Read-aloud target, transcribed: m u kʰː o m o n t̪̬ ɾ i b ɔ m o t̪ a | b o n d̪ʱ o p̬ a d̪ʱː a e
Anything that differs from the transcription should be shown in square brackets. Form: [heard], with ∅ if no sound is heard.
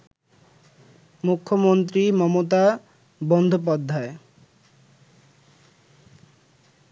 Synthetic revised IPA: m u kʰː o m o n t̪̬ ɾ i [m] ɔ m o t̪ a | b [ɔ] n d̪ʱ o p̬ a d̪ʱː a e

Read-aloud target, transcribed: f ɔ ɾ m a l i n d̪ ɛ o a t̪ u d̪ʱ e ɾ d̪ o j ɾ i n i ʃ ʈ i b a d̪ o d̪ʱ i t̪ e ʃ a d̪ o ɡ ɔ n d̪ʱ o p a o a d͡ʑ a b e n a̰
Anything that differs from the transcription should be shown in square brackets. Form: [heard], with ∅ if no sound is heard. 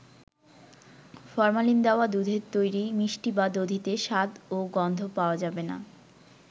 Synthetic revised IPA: f ɔ ɾ m a l i n d̪ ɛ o a [d̪] u d̪ʱ e ɾ [t̪] o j ɾ i [m] i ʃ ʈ i b a d̪ o d̪ʱ i t̪ e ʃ a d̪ o ɡ ɔ n d̪ʱ o p a o a d͡ʑ a b e n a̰

